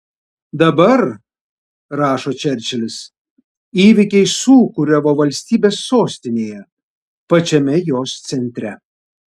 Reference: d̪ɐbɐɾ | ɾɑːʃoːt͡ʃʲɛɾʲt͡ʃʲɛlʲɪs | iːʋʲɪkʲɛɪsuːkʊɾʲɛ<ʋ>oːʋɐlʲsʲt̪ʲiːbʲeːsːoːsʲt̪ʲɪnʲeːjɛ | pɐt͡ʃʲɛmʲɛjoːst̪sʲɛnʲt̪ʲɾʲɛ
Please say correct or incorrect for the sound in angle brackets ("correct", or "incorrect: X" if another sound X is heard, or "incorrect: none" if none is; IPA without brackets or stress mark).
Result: correct